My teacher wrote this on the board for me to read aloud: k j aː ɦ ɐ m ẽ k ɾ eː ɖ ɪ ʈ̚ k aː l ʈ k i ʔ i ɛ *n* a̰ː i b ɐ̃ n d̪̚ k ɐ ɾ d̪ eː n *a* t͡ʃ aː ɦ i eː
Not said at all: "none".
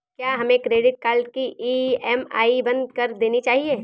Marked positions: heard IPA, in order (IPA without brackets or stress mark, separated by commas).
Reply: m, i